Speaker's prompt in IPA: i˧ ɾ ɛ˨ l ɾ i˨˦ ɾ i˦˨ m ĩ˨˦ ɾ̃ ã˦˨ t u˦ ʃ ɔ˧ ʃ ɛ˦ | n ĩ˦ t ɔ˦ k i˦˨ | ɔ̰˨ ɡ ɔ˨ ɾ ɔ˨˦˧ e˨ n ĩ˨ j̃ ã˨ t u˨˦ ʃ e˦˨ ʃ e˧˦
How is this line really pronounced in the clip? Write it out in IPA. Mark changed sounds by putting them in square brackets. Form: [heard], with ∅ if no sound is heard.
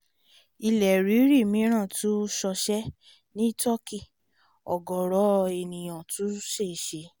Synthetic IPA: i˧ [l] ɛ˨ [∅] ɾ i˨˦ ɾ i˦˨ m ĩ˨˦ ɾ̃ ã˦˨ t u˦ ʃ ɔ˧ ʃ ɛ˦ | n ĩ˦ t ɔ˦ k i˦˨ | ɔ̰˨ ɡ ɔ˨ ɾ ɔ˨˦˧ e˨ n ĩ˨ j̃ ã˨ t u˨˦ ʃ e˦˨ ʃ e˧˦